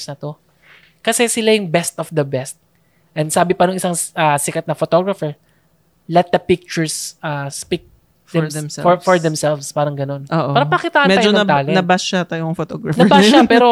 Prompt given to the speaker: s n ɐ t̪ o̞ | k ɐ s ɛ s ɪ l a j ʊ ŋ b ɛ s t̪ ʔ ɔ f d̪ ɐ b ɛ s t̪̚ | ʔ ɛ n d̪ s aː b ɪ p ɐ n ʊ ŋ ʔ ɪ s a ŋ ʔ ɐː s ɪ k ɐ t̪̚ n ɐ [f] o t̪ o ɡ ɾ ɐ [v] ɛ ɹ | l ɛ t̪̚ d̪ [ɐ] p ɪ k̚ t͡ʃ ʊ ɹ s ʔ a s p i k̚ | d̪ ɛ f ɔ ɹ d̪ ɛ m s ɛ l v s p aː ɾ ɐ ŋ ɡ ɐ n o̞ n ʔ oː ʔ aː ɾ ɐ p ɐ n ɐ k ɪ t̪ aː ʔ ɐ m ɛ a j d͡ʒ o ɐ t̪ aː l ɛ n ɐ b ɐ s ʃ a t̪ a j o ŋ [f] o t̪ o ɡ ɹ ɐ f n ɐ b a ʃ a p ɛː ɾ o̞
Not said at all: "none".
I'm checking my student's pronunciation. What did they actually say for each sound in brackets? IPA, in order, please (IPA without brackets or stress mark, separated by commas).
f, f, ɐ, f